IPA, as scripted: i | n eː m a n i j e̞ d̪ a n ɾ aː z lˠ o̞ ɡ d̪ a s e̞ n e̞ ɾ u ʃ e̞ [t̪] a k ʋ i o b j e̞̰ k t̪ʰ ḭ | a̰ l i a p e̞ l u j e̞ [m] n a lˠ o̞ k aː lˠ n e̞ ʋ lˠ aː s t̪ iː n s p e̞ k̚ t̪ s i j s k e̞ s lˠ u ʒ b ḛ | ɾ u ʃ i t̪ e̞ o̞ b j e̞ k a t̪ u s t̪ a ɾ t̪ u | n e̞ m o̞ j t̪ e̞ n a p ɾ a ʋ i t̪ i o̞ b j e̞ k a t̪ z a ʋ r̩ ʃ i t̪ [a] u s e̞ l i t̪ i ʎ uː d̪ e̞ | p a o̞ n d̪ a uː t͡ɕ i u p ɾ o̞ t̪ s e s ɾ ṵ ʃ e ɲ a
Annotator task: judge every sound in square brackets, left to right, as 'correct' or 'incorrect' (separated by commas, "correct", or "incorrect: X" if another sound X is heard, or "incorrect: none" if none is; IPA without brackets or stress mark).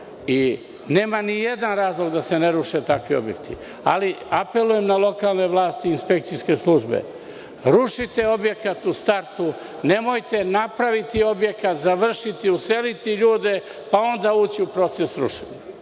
correct, correct, incorrect: i